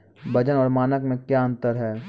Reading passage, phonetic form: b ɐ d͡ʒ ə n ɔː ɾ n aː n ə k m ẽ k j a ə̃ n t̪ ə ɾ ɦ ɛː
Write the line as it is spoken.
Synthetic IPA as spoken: b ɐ d͡ʒ ə n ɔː ɾ m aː n ə k m ẽ k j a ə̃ n t̪ ə ɾ ɦ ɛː